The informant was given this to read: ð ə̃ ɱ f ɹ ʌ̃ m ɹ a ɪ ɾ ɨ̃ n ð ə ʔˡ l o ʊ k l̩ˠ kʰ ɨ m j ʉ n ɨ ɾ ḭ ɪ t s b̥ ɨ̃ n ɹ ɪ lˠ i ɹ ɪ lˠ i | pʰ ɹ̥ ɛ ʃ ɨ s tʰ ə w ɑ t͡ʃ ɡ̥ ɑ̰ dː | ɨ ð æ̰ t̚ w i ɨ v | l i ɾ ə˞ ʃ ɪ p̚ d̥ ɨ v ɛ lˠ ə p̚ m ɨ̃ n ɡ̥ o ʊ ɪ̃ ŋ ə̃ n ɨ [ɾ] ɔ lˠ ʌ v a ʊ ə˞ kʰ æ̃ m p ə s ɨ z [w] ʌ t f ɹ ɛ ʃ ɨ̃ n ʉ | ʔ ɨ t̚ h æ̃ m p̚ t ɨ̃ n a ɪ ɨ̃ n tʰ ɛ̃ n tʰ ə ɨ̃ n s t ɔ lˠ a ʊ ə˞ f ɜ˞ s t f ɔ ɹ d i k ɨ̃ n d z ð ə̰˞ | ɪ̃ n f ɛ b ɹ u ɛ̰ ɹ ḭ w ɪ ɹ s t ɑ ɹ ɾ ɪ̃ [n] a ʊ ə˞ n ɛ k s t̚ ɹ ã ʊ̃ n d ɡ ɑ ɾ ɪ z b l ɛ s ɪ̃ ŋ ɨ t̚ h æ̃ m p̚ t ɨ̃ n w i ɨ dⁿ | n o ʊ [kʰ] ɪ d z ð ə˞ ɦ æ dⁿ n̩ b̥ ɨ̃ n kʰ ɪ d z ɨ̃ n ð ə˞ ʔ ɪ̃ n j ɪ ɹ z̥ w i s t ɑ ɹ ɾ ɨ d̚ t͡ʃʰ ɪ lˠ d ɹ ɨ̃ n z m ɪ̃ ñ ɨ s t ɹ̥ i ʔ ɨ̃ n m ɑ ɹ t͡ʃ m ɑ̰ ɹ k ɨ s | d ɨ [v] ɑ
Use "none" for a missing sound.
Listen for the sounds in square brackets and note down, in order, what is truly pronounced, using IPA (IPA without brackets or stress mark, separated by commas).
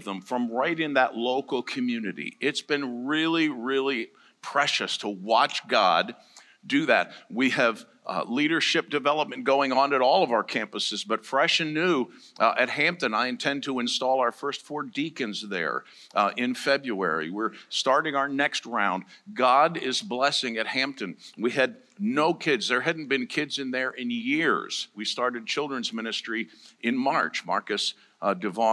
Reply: ɾ, b, ŋ, kʰ, v